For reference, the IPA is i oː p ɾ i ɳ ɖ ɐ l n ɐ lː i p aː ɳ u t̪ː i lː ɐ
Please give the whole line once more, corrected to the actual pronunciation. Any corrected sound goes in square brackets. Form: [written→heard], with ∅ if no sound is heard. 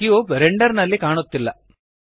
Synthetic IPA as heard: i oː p ɾ [i→e] ɳ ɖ ɐ [l→ɾ] n ɐ lː i [p→k] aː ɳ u t̪ː i lː ɐ

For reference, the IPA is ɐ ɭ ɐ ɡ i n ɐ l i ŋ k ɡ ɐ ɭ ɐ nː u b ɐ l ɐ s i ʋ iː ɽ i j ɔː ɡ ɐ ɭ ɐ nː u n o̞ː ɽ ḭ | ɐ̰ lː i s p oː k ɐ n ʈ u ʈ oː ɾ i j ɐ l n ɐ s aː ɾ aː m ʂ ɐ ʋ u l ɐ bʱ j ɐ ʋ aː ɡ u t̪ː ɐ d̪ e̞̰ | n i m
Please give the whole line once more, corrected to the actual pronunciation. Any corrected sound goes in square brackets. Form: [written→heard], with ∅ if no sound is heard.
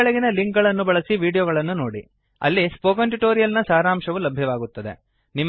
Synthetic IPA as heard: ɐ ɭ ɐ ɡ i n ɐ l i ŋ k ɡ ɐ ɭ ɐ nː u b ɐ [l→ɭ] ɐ s i ʋ iː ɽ i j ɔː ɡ ɐ ɭ ɐ nː u n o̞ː ɽ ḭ | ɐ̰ lː i s p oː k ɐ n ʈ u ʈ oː ɾ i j ɐ l n ɐ s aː ɾ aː m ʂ ɐ ʋ u l ɐ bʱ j ɐ ʋ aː ɡ u t̪ː ɐ d̪ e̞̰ | n i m

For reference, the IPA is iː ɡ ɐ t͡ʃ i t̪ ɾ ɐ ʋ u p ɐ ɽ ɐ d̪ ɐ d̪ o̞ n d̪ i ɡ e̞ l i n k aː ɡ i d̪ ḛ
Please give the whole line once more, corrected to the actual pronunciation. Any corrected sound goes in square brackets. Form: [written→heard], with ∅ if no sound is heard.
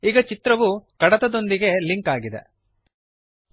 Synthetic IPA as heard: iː ɡ ɐ t͡ʃ i t̪ ɾ ɐ ʋ u [p→k] ɐ ɽ ɐ [d̪→t̪] ɐ d̪ o̞ n d̪ i ɡ e̞ l i [n→ŋ] k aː ɡ i d̪ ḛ

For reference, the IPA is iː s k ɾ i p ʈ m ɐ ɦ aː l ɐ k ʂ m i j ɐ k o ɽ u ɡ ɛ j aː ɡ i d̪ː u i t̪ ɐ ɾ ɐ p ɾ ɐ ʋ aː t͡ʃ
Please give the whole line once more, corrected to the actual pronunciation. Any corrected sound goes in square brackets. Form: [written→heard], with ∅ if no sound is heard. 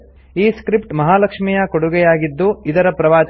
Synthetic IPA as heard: iː s k ɾ i p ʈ m ɐ ɦ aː l ɐ k ʂ m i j ɐ k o ɽ u ɡ ɛ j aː ɡ i d̪ː u i [t̪→d̪] ɐ ɾ ɐ p ɾ ɐ ʋ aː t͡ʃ

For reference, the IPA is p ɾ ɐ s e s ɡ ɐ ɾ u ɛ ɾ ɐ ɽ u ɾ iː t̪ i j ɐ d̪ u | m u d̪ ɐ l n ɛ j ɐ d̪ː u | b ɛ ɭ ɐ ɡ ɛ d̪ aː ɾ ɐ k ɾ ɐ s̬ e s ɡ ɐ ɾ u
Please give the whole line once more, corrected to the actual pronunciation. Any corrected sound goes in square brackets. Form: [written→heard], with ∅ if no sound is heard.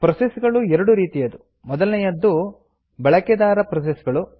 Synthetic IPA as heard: p ɾ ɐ s e s ɡ ɐ [ɾ→ɭ] u ɛ ɾ ɐ ɽ u ɾ iː t̪ i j ɐ d̪ u | m [u→ɔ] d̪ ɐ l n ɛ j ɐ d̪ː u | b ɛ ɭ ɐ [ɡ→k] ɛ d̪ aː ɾ ɐ [k→p] ɾ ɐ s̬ e s ɡ ɐ [ɾ→ɭ] u

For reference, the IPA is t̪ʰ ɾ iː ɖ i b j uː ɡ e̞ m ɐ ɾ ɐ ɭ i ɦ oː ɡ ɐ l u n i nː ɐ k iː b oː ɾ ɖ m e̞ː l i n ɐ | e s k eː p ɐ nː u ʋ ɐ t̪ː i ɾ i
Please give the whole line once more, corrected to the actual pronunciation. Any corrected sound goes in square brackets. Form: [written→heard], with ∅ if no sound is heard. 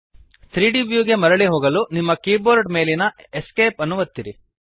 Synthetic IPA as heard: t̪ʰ ɾ iː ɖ i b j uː ɡ e̞ m ɐ ɾ ɐ ɭ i ɦ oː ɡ ɐ l u n i [nː→mː] ɐ k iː b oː ɾ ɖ m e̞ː l i n ɐ | e s k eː p ɐ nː u ʋ ɐ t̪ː i ɾ i

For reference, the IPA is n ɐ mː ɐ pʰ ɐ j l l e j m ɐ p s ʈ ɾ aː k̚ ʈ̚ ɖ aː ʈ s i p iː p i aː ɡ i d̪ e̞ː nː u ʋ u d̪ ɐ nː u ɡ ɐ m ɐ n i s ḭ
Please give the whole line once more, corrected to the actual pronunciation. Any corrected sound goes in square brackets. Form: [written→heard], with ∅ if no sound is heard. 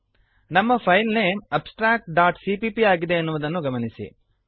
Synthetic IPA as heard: n ɐ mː ɐ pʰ ɐ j l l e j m ɐ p s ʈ ɾ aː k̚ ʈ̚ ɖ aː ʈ s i p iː p i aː ɡ i d̪ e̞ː nː u ʋ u d̪ ɐ nː u ɡ ɐ m ɐ n i s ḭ

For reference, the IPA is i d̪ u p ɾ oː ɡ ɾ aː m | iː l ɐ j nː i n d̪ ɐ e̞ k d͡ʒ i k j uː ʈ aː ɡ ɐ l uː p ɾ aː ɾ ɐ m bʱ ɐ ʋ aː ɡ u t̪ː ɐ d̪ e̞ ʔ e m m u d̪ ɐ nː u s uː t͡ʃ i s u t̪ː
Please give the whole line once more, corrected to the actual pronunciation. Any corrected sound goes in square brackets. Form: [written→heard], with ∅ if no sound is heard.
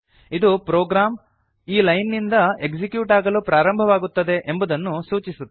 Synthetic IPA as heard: i d̪ u p ɾ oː ɡ ɾ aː m | iː l ɐ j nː i n d̪ ɐ e̞ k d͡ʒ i k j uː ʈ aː ɡ ɐ l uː p ɾ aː ɾ ɐ m bʱ ɐ ʋ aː ɡ u t̪ː ɐ d̪ e̞ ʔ e m [m→b] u d̪ ɐ nː u s uː t͡ʃ i s u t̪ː

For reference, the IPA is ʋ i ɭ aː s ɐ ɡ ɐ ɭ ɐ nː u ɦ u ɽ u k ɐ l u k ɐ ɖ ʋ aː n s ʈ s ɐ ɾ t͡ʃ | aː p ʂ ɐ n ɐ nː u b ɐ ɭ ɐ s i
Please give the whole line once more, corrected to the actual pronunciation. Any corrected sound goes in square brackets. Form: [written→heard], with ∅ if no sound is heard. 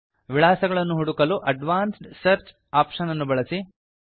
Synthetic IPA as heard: ʋ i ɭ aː s ɐ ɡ ɐ ɭ ɐ nː u ɦ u ɽ u k ɐ l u [k→ʔ] ɐ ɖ ʋ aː n s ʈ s ɐ ɾ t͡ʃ | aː p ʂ ɐ n ɐ nː u b ɐ ɭ ɐ s i

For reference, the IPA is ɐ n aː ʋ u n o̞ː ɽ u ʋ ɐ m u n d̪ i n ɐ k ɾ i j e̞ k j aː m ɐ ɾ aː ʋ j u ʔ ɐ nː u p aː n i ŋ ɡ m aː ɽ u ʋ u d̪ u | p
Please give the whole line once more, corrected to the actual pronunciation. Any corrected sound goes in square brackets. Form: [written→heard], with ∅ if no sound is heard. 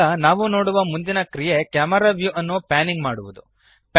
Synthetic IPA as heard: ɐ n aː ʋ u n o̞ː ɽ u ʋ ɐ m u n d̪ i n ɐ k ɾ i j e̞ k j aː m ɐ ɾ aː ʋ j u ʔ ɐ nː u p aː n i ŋ ɡ m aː ɽ u ʋ u d̪ u | p

